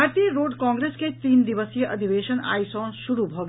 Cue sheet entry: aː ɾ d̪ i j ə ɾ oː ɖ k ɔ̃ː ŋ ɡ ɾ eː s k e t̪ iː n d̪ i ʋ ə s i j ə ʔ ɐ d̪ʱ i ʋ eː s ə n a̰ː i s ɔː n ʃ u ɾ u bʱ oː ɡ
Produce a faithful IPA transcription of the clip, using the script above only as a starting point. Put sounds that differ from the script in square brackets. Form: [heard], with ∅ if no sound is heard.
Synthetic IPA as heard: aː ɾ [t̪] i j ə ɾ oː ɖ k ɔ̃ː ŋ ɡ ɾ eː s k e t̪ iː n d̪ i ʋ ə s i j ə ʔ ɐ d̪ʱ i ʋ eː [ʃ] ə n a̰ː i s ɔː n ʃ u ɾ u bʱ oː ɡ